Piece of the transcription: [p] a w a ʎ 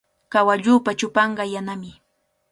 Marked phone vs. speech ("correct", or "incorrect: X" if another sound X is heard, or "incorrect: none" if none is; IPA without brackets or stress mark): incorrect: k